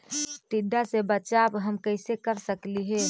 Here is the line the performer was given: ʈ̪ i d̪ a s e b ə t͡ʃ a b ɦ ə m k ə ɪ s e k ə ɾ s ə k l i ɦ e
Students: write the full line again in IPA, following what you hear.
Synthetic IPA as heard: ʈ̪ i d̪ a s e b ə t͡ʃ a b ɦ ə m k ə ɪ s e k ə ɾ s ə k l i ɦ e